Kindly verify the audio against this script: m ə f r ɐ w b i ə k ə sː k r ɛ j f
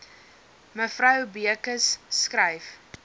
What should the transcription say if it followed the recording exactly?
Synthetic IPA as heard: m ə f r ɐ w b i ə k ə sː k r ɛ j f